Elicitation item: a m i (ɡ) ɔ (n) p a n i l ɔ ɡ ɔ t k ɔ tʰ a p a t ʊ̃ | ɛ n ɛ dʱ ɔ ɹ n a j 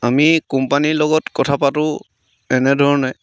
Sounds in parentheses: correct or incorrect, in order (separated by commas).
incorrect, incorrect